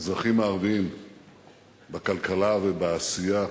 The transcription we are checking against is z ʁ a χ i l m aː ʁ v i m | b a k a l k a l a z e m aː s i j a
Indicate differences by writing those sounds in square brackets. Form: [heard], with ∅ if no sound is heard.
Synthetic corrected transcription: z ʁ a χ i [∅] m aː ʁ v i m | b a k a l k a l a [v] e [b] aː s i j a